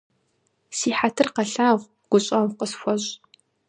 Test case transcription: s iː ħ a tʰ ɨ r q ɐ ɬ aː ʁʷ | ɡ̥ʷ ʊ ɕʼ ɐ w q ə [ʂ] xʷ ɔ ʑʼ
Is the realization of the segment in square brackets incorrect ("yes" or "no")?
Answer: yes